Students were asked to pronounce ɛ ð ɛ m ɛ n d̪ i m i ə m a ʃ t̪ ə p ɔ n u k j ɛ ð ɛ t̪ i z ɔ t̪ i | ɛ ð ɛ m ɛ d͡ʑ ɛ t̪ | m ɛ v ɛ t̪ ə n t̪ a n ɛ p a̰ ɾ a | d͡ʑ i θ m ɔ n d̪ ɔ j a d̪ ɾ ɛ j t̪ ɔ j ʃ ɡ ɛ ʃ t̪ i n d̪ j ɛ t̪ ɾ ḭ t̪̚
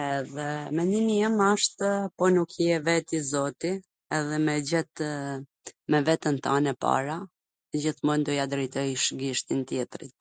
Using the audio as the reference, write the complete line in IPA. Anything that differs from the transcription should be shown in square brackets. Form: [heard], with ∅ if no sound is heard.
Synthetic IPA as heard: ɛ ð ɛ m ɛ n d̪ i m i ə m a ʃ t̪ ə p ɔ n u k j ɛ [v] ɛ t̪ i z ɔ t̪ i | ɛ ð ɛ m ɛ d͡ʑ ɛ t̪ | m ɛ v ɛ t̪ ə n t̪ a n ɛ p a̰ ɾ a | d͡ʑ i θ m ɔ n d̪ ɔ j a d̪ ɾ ɛ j t̪ ɔ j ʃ ɡ [i] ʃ t̪ i n [t̪] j ɛ t̪ ɾ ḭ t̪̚